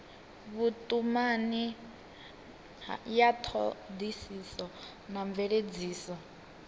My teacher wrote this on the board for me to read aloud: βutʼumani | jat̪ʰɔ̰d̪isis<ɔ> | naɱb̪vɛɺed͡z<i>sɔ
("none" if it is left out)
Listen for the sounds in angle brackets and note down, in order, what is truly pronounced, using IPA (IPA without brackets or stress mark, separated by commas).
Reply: ɔ, iː